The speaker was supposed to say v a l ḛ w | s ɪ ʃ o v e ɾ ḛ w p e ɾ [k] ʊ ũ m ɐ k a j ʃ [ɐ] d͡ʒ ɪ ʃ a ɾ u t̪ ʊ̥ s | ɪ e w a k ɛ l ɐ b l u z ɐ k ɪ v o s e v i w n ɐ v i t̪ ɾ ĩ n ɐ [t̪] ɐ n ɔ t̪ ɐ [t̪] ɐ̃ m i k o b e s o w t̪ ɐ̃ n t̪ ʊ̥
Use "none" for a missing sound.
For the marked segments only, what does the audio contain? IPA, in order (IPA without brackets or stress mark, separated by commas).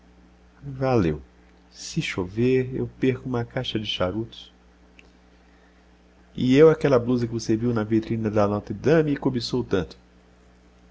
k, ɐ, d̪, d̪